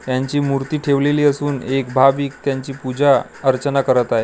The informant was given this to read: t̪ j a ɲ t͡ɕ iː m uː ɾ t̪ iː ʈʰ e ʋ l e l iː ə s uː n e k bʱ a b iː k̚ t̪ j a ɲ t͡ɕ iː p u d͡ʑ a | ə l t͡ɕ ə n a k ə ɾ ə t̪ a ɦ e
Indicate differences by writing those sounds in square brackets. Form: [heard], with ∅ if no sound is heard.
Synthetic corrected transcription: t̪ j a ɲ t͡ɕ iː m [u] ɾ t̪ iː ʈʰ e ʋ l e l iː ə s uː n e k bʱ a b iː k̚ t̪ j a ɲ t͡ɕ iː p u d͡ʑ a | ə [ɾ] t͡ɕ ə n a k ə ɾ ə t̪ a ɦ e